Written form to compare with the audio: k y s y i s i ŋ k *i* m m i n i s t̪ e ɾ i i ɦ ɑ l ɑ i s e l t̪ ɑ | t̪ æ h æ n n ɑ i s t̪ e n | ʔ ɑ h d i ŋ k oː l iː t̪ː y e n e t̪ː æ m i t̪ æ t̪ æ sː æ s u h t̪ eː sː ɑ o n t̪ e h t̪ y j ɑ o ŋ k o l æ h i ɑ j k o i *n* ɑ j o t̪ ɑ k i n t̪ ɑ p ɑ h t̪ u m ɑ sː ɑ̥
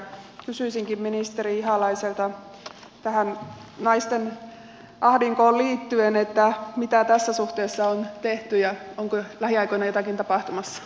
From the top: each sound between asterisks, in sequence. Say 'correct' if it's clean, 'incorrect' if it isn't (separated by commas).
correct, correct